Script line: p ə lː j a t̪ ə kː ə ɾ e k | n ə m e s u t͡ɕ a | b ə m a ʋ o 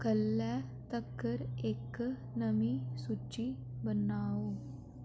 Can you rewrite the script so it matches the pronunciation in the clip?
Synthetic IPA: k ə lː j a t̪ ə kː ə ɾ e k | n ə m i s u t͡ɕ i | b ə n a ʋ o